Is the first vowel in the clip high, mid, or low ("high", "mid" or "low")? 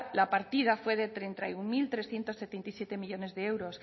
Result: low